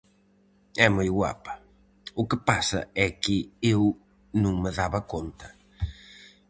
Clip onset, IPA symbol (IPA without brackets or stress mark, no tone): ɛ